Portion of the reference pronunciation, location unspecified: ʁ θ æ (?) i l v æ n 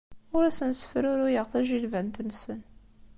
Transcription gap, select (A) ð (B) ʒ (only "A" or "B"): B